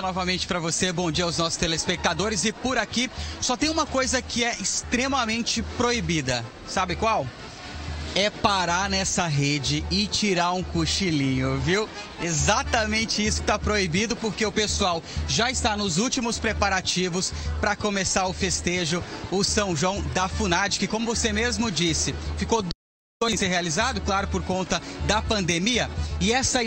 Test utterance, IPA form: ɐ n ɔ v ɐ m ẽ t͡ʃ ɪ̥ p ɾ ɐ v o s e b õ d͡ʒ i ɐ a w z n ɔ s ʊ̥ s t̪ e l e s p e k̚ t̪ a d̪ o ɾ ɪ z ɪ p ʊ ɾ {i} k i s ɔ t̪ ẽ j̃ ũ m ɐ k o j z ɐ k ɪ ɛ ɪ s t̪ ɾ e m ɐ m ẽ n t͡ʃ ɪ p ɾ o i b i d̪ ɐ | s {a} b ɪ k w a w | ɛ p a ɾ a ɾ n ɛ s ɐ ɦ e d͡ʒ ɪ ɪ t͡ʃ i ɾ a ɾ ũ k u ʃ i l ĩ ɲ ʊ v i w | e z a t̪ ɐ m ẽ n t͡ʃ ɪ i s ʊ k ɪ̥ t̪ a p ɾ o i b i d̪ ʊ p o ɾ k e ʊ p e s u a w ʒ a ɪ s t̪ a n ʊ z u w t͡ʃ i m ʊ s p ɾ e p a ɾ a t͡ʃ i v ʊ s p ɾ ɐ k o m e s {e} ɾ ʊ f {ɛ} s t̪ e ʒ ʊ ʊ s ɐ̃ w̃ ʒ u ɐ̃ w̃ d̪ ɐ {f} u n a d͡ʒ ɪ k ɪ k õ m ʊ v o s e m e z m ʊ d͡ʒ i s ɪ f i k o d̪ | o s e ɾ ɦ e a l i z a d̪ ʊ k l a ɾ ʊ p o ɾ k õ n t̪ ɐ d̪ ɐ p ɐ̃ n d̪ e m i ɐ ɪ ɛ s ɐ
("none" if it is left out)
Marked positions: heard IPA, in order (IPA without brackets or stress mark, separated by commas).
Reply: a, a, a, e, f